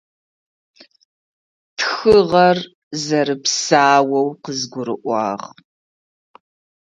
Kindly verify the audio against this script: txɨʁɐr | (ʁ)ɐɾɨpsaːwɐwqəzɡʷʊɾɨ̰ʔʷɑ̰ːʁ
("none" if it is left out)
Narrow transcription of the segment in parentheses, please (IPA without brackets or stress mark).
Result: z